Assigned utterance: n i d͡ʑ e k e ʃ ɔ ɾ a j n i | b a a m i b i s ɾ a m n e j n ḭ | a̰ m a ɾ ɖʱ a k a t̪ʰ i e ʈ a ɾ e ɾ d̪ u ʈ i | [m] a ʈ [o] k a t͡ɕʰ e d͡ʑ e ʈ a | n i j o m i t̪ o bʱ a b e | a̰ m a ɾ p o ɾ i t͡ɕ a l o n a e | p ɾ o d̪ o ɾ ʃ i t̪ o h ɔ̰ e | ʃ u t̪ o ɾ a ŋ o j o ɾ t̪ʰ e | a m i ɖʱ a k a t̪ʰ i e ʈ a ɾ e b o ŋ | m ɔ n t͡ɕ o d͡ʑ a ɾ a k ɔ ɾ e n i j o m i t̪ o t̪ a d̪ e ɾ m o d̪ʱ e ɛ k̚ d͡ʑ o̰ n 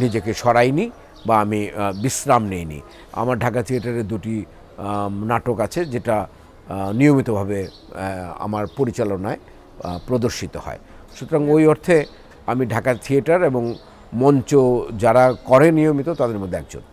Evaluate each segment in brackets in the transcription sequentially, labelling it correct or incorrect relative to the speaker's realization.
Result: incorrect: n, correct

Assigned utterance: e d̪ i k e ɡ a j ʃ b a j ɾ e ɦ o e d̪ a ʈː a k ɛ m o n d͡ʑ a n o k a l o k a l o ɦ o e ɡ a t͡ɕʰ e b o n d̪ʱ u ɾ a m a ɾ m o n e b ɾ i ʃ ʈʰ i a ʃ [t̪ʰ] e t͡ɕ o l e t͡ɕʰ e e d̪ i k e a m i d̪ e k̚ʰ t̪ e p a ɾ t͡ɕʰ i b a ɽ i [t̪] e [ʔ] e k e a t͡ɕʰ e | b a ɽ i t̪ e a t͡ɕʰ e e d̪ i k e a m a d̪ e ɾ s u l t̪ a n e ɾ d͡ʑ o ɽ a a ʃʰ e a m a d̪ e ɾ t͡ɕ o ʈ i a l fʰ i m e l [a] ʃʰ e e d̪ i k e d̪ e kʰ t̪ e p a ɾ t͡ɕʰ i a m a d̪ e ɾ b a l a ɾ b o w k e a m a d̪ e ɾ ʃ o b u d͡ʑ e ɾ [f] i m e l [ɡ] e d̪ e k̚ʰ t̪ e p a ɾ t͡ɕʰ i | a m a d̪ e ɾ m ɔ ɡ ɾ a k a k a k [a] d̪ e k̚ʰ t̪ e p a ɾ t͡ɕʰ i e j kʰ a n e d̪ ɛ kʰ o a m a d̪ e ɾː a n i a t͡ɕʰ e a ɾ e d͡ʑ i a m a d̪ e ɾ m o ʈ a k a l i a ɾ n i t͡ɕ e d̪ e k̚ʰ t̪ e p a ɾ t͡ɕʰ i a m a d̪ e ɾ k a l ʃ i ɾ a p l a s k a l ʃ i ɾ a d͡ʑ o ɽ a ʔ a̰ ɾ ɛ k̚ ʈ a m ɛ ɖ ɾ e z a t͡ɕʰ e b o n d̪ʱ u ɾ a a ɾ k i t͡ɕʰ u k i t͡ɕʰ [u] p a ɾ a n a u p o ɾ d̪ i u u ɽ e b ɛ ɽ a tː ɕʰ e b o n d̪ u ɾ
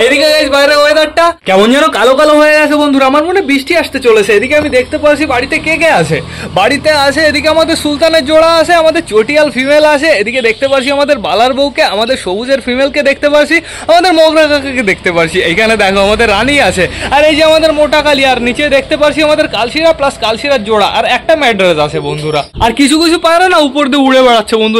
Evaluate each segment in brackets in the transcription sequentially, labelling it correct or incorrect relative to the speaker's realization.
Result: incorrect: t̪, correct, incorrect: k, correct, correct, incorrect: k, incorrect: e, correct

